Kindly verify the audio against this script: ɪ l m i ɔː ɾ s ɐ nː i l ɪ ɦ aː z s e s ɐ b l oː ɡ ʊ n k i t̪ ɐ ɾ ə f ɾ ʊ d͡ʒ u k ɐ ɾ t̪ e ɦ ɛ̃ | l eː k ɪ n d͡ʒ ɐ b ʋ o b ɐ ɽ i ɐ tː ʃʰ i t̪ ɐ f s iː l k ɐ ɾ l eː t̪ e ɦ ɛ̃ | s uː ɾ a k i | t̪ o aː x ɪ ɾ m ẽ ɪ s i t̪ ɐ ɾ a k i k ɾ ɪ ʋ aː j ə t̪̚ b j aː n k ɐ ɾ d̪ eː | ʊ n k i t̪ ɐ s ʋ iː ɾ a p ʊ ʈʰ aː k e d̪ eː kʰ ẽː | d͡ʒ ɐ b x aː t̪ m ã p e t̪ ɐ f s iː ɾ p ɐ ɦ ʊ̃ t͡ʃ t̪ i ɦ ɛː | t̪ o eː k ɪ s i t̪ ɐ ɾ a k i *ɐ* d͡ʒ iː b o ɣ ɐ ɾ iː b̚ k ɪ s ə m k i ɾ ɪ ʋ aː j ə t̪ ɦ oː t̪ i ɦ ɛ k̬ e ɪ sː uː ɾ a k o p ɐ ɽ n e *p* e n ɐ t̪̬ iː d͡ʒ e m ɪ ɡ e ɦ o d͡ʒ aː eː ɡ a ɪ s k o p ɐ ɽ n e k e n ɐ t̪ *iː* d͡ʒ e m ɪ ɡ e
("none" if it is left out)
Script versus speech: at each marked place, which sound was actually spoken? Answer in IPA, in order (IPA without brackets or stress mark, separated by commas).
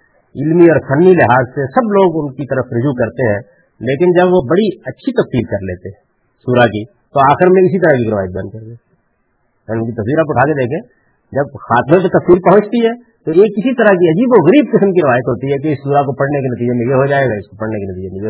ɐ, k, iː